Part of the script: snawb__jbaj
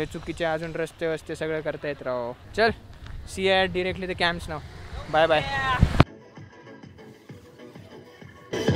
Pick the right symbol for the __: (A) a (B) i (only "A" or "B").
A